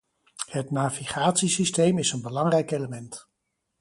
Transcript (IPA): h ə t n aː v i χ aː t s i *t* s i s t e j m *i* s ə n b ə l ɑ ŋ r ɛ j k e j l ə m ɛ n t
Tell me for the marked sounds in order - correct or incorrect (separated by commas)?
incorrect, incorrect